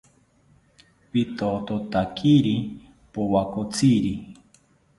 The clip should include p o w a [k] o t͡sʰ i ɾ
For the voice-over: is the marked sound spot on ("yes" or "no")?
yes